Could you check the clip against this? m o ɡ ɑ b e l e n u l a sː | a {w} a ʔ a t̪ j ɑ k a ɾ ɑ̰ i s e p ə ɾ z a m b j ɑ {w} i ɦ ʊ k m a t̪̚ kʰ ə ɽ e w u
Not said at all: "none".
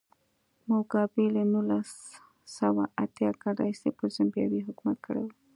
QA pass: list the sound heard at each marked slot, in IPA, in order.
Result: w, w

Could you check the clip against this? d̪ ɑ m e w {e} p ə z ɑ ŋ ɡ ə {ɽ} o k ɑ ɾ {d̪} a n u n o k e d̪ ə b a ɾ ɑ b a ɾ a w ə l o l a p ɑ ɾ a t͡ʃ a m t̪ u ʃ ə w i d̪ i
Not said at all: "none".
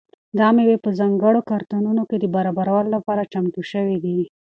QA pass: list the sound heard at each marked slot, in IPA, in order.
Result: e, ɽ, t̪

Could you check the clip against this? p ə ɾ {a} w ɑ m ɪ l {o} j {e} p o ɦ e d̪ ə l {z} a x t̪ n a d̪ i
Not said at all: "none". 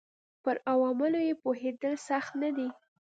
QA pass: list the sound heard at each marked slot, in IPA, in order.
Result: a, o, e, s

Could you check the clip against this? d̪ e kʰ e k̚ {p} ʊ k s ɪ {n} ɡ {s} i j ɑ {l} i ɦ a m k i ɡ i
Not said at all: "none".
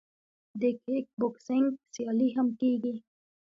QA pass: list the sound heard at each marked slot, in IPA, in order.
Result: b, ŋ, s, l

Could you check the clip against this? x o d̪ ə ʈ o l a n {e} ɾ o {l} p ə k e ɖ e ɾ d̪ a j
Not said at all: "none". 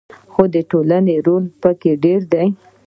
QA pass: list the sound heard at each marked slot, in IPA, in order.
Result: e, l

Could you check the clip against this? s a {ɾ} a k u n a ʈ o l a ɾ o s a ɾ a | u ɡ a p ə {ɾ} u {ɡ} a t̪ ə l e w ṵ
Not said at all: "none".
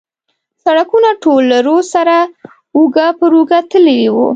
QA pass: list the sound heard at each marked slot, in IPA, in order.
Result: ɽ, ɾ, ɡ

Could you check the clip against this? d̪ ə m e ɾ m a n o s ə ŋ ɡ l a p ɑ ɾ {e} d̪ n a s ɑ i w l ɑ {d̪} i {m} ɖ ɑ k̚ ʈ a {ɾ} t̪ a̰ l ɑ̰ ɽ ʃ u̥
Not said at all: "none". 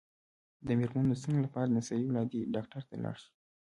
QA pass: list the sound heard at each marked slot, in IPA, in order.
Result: a, d̪, none, ɾ

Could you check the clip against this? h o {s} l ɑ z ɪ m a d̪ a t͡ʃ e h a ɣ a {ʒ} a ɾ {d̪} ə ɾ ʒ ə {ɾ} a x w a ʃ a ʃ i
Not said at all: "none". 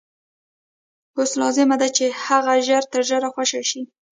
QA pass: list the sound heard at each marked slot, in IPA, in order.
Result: s, ʒ, t̪, ɾ

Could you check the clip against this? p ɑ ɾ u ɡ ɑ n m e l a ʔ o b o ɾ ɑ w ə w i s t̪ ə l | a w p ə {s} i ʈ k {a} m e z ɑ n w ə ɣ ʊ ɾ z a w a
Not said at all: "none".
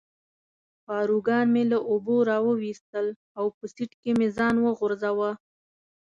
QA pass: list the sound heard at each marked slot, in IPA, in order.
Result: s, e

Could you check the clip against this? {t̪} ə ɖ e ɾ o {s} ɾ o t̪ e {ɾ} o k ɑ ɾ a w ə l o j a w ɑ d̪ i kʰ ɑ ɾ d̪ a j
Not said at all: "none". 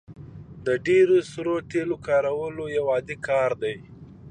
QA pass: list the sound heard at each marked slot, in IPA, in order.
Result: d̪, s, l

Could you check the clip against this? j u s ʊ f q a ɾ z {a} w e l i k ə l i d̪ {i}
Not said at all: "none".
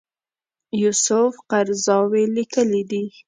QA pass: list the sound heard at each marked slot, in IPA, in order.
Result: ɑ, i

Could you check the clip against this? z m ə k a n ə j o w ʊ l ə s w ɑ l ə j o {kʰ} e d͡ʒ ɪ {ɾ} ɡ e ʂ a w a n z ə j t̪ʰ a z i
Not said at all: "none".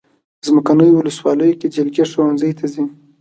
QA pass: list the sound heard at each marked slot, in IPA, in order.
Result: k, l

